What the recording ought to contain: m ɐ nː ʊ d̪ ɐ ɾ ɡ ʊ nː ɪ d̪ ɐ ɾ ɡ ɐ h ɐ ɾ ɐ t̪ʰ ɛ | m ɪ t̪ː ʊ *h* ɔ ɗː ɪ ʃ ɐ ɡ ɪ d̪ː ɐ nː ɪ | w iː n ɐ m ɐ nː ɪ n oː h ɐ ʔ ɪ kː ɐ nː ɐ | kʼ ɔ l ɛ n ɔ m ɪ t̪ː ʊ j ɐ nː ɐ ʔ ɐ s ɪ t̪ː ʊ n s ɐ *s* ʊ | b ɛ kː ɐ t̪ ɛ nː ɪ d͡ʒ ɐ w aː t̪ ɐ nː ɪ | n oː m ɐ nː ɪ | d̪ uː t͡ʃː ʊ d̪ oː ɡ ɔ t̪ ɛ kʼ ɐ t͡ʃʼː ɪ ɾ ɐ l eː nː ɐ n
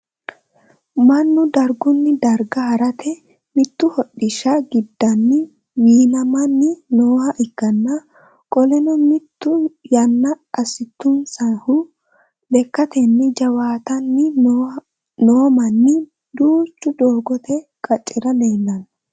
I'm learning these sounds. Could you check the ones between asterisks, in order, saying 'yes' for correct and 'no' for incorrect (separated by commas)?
yes, no